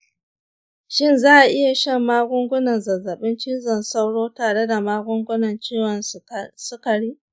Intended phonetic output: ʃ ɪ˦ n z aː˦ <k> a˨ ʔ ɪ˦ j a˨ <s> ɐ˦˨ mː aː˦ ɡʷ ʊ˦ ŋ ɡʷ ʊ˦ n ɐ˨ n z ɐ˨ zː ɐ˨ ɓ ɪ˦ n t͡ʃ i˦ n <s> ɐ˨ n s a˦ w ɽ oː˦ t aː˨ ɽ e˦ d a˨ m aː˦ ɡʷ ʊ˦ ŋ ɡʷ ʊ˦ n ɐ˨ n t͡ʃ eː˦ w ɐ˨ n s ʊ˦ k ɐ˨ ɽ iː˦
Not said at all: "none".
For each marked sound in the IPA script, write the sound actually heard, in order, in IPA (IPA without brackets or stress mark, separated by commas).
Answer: ʔ, ʃ, z